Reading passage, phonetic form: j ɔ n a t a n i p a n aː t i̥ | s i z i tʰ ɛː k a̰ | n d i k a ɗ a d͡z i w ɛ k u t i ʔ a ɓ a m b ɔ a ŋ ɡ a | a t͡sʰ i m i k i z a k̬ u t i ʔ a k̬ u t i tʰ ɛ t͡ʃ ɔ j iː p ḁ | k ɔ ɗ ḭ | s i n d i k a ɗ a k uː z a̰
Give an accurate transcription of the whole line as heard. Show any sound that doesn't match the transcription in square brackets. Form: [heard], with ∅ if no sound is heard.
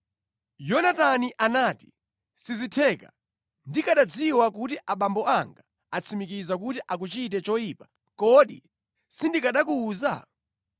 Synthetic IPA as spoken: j ɔ n a t a n i [ʔ] a n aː t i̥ | s i z i tʰ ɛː k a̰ | n d i k a ɗ a d͡z i w [a] k u t i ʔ a ɓ a m b ɔ a ŋ ɡ a | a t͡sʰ i m i k i z a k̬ u t i ʔ a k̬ u [t͡ʃ] i [t] ɛ t͡ʃ ɔ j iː p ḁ | k ɔ ɗ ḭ | s i n d i k a ɗ a k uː z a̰